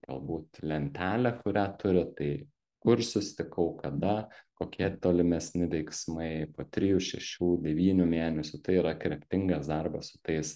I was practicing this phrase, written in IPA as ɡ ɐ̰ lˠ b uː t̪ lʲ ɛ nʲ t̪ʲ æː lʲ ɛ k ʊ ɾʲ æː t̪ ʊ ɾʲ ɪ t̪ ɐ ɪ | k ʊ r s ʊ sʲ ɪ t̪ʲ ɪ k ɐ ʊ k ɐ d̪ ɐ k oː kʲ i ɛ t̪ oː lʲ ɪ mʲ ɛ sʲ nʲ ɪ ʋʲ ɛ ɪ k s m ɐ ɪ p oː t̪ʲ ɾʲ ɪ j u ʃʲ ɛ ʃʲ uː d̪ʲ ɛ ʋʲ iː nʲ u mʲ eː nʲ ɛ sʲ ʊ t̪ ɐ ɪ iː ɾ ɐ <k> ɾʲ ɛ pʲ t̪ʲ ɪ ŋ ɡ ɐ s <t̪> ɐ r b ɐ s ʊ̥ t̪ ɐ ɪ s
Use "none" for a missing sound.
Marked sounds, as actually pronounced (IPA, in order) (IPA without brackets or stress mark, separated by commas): k, d̪